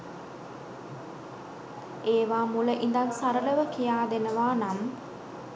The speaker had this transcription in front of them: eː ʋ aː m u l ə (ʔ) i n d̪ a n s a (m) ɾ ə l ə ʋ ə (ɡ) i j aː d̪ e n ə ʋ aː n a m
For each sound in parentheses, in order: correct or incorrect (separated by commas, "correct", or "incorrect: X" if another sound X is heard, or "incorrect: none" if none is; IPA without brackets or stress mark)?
correct, incorrect: none, incorrect: k